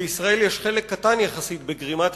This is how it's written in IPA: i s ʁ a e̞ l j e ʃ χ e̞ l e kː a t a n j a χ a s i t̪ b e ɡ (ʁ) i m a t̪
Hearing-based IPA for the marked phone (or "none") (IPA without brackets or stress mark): ʁ